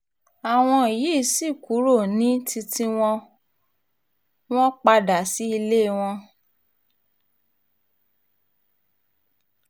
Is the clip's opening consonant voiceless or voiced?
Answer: voiced